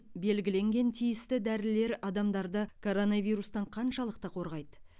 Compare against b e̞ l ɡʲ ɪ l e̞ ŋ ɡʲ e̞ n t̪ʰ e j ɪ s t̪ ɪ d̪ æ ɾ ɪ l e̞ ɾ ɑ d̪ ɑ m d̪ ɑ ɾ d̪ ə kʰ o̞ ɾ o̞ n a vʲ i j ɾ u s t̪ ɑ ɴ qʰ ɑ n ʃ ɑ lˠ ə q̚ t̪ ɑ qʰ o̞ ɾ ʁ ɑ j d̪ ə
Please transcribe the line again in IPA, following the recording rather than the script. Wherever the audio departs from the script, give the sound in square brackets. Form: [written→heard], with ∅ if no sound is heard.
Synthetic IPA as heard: b e̞ l ɡʲ ɪ l e̞ ŋ ɡʲ e̞ n t̪ʰ [e→i] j ɪ s t̪ ɪ d̪ æ ɾ ɪ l e̞ ɾ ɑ d̪ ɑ m d̪ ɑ ɾ d̪ ə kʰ o̞ ɾ o̞ n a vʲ i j ɾ u s t̪ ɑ ɴ qʰ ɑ n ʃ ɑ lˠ ə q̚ t̪ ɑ qʰ o̞ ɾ ʁ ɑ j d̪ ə